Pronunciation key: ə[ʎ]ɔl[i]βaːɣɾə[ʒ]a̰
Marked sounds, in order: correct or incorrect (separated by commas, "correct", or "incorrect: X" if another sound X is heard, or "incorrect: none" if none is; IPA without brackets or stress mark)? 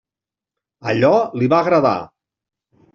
correct, correct, incorrect: ð